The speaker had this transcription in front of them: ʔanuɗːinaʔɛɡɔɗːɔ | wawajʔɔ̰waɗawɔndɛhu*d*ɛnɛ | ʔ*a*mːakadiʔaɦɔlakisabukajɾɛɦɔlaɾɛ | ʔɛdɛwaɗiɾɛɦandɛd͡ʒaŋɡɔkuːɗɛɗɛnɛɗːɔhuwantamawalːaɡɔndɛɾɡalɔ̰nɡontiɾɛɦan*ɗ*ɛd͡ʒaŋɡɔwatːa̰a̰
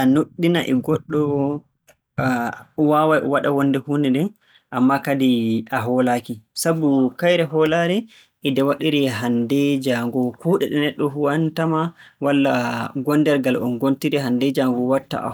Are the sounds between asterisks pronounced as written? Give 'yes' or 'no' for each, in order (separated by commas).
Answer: no, yes, no